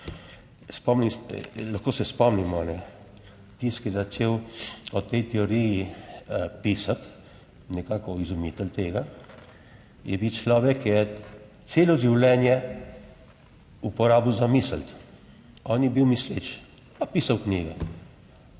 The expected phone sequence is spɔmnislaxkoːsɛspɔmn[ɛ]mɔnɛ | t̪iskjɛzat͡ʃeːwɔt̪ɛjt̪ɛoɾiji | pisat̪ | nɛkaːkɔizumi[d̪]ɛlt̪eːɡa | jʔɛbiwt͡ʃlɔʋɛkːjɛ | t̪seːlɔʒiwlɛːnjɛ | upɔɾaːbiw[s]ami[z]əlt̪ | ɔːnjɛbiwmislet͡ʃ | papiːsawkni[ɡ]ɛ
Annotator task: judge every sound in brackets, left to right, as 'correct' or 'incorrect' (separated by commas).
incorrect, incorrect, incorrect, incorrect, correct